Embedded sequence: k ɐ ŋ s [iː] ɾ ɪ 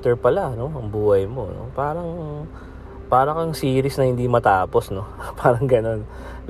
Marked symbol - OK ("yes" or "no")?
yes